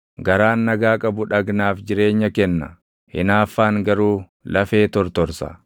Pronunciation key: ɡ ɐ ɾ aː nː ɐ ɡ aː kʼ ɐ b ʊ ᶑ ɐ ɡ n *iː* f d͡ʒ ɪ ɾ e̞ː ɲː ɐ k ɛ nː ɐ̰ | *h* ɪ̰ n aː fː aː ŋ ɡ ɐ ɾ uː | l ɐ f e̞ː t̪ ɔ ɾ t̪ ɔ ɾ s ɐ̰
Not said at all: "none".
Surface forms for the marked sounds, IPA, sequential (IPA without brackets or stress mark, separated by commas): aː, h